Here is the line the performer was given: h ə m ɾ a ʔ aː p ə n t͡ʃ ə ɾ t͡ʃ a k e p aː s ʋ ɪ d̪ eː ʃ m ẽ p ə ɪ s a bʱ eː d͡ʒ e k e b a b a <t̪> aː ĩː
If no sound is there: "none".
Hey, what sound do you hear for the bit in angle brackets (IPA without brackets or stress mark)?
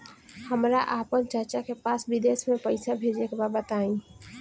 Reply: t̪